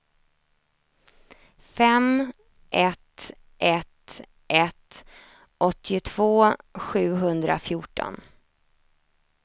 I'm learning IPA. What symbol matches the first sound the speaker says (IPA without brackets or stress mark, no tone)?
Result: f